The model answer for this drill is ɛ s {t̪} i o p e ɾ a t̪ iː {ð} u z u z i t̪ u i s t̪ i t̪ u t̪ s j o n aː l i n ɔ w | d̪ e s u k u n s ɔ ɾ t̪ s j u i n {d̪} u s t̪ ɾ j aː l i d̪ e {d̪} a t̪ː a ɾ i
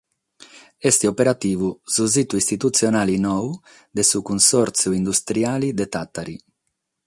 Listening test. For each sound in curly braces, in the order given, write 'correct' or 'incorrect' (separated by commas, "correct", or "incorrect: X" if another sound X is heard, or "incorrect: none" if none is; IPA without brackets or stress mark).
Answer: correct, incorrect: v, correct, incorrect: t̪